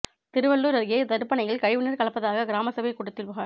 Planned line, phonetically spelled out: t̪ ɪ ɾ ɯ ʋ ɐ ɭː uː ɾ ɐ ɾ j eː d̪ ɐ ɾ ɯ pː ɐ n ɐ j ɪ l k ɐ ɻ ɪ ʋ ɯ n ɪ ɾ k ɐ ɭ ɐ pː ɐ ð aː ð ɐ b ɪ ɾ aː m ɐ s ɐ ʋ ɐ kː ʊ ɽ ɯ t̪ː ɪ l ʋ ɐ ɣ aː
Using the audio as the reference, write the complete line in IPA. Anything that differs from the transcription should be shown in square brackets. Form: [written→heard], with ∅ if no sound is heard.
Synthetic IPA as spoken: t̪ ɪ ɾ ɯ ʋ ɐ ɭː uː ɾ ɐ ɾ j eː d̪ ɐ ɾ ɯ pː ɐ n ɐ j ɪ l k ɐ ɻ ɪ ʋ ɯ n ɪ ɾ k ɐ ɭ ɐ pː ɐ ð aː [ð→ɣ] ɐ [b→ɡ] ɪ ɾ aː m ɐ s ɐ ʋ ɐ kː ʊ ɽ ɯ t̪ː ɪ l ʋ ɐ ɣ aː